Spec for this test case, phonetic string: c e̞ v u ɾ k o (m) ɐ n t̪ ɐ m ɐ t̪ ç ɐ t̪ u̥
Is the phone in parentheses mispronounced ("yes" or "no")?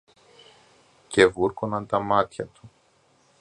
yes